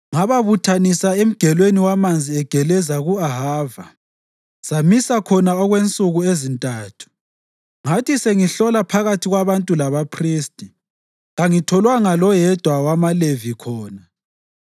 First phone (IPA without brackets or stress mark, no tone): ŋ